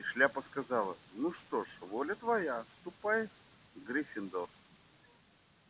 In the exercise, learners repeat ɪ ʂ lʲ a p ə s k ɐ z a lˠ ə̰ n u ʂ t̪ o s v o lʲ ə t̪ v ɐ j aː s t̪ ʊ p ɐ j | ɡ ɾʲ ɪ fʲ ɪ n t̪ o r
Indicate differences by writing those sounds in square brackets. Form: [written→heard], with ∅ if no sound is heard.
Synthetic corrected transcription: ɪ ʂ lʲ a p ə s k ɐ z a lˠ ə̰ n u ʂ t̪ o [s→ʂ] v o lʲ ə t̪ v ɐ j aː s t̪ ʊ p [ɐ→a] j | ɡ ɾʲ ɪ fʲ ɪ n [t̪→d̪] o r

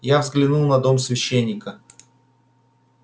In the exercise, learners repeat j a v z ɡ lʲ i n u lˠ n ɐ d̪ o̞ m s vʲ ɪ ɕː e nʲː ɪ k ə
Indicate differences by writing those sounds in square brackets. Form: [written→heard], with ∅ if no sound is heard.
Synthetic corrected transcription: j a v z ɡ lʲ [i→ɪ] n u lˠ n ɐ d̪ o̞ m s vʲ ɪ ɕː e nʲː ɪ k ə

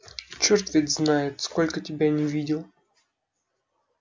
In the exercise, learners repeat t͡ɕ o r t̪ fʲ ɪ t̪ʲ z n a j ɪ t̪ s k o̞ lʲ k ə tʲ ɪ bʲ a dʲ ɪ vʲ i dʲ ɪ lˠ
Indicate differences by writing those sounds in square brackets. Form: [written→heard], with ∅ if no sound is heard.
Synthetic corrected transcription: t͡ɕ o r t̪ [fʲ→vʲ] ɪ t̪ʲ z n a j ɪ t̪ s k o̞ lʲ k ə tʲ ɪ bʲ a [dʲ→nʲ] ɪ vʲ i dʲ ɪ lˠ

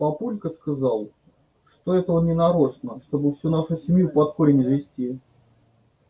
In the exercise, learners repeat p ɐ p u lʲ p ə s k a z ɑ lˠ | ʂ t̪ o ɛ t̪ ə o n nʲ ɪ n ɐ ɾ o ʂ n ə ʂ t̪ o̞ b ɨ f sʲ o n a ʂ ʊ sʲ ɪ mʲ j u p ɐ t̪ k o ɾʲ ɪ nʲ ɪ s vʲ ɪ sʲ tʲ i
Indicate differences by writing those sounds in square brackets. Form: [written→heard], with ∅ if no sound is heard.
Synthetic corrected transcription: p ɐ p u lʲ [p→k] ə s k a z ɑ lˠ | ʂ t̪ o ɛ t̪ ə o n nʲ ɪ n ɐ ɾ o ʂ n ə ʂ t̪ o̞ b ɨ f sʲ [o→u] n a ʂ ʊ sʲ ɪ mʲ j u p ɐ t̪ k o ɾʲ ɪ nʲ ɪ [s→z] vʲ ɪ sʲ tʲ i

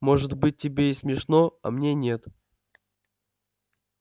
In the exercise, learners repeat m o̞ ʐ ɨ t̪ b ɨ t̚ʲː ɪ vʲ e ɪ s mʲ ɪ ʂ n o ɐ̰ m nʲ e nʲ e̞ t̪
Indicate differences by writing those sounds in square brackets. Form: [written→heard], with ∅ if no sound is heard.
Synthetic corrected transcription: m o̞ ʐ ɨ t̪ b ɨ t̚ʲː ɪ [vʲ→bʲ] e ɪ s mʲ ɪ ʂ n o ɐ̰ m nʲ e nʲ e̞ t̪

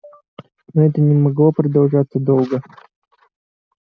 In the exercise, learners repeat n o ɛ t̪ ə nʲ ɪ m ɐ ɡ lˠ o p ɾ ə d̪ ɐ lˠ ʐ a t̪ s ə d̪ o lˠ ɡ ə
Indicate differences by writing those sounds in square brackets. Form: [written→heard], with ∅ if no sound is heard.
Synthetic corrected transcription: n o ɛ t̪ ə nʲ ɪ m ɐ ɡ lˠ o p ɾ ə d̪ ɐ lˠ ʐ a t̪ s ə d̪ o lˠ ɡ ə

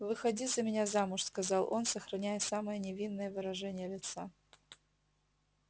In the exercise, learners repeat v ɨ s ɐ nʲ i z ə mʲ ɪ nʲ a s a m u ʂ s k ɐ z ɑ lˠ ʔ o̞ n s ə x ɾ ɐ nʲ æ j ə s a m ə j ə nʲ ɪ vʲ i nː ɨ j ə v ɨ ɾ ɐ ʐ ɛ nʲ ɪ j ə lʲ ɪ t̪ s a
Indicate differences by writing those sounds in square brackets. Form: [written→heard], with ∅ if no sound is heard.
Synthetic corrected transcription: v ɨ [s→x] ɐ [nʲ→dʲ] i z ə mʲ ɪ nʲ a [s→z] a m [u→ʊ] ʂ s k ɐ z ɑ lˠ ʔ o̞ n s ə x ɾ ɐ nʲ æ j ə s a m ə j ə nʲ ɪ vʲ i nː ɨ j ə v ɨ ɾ ɐ ʐ ɛ nʲ ɪ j ə lʲ ɪ t̪ s a

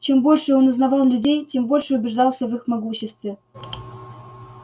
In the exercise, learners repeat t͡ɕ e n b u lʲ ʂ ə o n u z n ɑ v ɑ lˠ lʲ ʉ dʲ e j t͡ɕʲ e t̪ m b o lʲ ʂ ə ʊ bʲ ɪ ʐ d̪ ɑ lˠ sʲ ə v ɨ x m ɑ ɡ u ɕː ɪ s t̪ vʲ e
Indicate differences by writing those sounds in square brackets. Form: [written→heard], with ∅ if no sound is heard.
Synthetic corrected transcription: t͡ɕ e [n→m] b [u→o] lʲ ʂ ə o n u z n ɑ v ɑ lˠ lʲ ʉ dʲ e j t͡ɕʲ e [t̪→∅] m b o lʲ ʂ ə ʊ bʲ ɪ ʐ d̪ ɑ lˠ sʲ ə v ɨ x m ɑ ɡ u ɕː ɪ s t̪ vʲ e

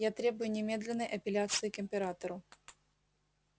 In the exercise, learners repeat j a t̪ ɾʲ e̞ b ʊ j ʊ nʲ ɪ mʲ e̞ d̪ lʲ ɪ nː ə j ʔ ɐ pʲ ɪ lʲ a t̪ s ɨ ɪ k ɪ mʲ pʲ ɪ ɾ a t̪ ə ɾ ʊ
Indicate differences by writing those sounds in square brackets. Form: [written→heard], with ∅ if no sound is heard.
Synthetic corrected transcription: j a t̪ ɾʲ e̞ b ʊ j ʊ nʲ ɪ mʲ e̞ d̪ lʲ ɪ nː ə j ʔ ɐ pʲ ɪ lʲ a t̪ s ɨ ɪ k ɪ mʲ pʲ ɪ ɾ a t̪ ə ɾ ʊ

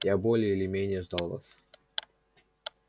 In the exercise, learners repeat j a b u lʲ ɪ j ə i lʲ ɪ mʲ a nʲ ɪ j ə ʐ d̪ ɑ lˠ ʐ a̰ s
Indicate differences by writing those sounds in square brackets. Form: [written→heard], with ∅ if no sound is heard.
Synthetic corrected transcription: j a b [u→o] lʲ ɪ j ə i lʲ ɪ mʲ [a→e] nʲ ɪ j ə ʐ d̪ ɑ lˠ [ʐ→v] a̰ s

